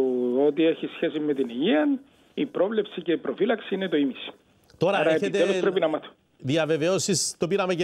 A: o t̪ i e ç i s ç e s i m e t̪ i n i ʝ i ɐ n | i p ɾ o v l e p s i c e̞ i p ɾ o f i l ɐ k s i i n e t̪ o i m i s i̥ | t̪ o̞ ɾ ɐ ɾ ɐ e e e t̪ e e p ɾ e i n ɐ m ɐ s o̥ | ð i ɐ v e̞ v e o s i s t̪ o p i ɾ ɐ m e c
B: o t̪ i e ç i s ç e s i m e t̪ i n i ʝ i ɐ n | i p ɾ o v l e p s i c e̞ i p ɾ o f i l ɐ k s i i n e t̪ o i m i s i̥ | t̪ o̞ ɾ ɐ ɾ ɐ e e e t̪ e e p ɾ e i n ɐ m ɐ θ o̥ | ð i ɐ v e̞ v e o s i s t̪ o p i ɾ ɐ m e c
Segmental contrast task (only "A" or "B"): B